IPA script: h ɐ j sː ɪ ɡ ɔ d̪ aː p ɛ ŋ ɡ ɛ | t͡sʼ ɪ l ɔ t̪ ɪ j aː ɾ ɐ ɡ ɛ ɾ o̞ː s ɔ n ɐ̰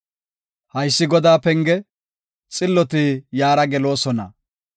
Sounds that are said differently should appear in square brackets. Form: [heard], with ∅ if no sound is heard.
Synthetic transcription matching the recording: h ɐ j sː ɪ ɡ ɔ d̪ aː p ɛ ŋ ɡ ɛ | t͡sʼ ɪ [lː] ɔ t̪ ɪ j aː ɾ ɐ ɡ ɛ [l] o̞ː s ɔ n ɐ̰